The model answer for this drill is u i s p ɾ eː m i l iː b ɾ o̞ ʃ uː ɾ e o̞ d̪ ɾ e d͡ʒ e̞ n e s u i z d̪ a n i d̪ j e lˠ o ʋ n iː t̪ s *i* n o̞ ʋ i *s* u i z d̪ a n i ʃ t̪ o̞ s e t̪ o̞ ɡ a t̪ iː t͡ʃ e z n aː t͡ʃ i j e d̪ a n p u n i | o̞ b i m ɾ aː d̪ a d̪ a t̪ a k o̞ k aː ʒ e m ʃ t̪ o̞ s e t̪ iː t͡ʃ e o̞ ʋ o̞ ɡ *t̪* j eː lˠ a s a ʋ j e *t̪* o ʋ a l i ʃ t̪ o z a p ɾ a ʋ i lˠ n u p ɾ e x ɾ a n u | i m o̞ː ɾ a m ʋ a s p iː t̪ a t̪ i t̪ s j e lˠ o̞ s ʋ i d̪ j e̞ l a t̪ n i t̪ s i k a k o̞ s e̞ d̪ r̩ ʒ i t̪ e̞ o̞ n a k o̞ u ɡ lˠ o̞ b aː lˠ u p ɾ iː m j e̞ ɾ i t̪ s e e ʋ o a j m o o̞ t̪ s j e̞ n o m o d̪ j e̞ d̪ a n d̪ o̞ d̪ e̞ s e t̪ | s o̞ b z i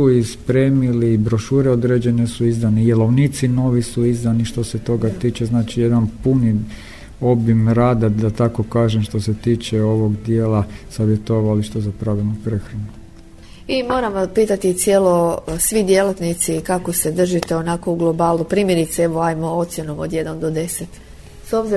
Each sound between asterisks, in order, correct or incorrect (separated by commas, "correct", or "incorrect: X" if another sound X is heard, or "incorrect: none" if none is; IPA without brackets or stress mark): correct, correct, incorrect: d̪, correct